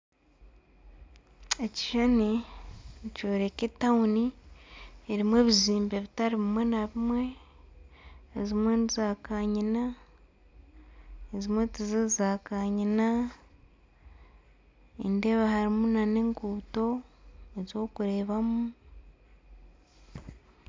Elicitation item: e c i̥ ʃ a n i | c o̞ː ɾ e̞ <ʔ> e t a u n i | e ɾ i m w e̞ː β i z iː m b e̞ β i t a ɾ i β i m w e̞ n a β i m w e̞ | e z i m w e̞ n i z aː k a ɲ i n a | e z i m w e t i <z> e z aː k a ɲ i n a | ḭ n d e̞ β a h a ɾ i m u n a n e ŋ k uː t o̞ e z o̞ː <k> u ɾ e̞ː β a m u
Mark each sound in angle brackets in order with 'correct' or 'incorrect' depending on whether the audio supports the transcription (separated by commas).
incorrect, correct, correct